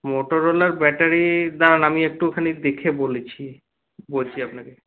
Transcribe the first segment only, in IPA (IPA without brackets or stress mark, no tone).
m